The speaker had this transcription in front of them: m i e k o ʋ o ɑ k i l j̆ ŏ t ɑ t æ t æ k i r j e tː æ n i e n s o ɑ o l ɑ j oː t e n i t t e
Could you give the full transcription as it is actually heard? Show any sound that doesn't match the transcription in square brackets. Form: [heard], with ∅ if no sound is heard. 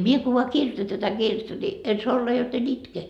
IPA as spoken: m i e k o ʋ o ɑ k i [r] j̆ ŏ t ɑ t æ t æ k i r j e tː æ n i e n s o ɑ o [lː] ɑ j [o] t e n i t [k] e